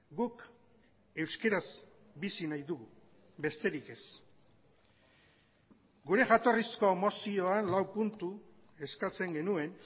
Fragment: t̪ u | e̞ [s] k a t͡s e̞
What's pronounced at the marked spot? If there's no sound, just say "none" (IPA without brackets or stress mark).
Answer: s